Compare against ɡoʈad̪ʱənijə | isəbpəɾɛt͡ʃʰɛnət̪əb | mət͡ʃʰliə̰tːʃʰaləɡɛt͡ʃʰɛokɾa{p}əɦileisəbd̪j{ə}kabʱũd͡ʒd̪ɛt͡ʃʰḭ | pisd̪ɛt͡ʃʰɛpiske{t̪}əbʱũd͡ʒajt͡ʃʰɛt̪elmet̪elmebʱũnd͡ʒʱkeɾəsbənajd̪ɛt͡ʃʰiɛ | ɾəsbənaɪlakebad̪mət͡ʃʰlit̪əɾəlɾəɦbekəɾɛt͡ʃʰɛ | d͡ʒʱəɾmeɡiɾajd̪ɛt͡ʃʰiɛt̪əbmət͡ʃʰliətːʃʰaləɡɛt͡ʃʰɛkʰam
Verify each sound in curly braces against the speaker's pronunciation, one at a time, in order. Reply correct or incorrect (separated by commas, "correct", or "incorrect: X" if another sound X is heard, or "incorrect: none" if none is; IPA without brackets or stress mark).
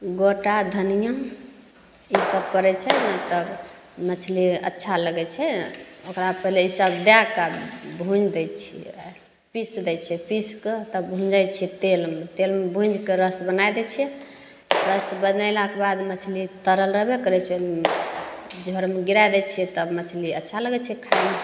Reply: correct, incorrect: a, correct